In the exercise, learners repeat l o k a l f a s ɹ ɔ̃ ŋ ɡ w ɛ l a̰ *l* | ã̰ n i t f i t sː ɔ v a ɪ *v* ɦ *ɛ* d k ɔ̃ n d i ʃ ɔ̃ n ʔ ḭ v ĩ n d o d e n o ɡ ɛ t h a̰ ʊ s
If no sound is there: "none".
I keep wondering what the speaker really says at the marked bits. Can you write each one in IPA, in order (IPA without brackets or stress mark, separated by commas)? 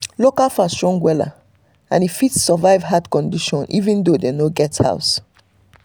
none, v, a